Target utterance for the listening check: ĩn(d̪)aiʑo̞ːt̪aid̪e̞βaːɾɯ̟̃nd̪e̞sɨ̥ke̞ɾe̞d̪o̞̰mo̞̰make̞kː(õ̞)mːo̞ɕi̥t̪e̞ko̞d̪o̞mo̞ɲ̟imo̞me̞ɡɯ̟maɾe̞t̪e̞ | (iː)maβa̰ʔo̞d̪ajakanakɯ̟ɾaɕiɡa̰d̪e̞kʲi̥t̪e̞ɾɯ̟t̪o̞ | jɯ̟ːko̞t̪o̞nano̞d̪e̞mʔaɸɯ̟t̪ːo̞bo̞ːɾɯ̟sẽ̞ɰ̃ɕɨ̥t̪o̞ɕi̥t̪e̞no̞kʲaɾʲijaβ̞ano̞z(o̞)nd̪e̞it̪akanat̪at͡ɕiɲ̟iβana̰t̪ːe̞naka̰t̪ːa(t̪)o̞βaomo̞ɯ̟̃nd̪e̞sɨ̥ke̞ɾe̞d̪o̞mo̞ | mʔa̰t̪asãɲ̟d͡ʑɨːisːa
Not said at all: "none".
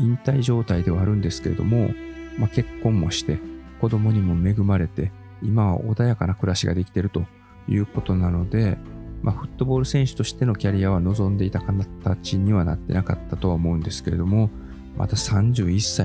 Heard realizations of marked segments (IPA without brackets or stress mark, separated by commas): t̪, õ̞, i, õ̞, t̪